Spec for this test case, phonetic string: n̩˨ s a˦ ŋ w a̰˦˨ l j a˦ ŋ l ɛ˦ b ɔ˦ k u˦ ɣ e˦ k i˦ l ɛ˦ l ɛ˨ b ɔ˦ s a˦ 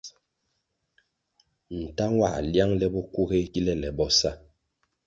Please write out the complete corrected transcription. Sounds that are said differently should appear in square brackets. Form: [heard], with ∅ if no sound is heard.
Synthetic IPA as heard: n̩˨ [t] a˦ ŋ w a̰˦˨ l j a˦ ŋ l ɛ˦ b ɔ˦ k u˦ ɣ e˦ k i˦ l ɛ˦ l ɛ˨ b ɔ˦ s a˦